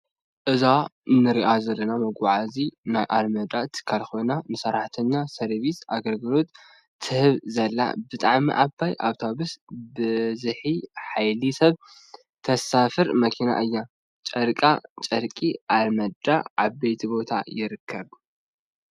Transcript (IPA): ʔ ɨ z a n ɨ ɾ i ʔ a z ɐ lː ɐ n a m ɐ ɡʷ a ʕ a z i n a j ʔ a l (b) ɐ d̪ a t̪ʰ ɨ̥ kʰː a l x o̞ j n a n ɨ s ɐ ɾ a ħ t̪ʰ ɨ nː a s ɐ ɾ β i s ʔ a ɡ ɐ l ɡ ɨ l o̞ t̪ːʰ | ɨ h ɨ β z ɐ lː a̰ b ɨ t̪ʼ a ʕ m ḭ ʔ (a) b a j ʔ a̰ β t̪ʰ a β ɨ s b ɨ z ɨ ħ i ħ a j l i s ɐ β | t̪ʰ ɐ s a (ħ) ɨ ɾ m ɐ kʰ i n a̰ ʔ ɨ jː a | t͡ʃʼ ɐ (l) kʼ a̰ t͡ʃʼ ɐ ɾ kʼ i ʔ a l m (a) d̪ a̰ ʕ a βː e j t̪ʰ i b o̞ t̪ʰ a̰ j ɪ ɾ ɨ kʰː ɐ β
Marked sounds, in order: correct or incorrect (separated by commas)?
incorrect, correct, incorrect, incorrect, incorrect